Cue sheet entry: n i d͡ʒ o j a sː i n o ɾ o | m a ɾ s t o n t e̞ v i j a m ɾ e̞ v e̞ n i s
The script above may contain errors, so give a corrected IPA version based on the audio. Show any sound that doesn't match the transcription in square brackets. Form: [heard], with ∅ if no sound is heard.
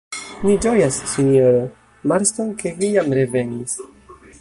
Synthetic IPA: n i d͡ʒ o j a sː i n o ɾ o | m a ɾ s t o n [k] e̞ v i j a m ɾ e̞ v e̞ n i s